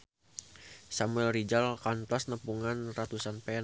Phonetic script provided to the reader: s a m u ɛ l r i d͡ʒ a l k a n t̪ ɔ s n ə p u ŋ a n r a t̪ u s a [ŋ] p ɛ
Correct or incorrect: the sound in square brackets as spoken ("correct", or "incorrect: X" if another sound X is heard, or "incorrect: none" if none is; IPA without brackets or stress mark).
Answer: incorrect: n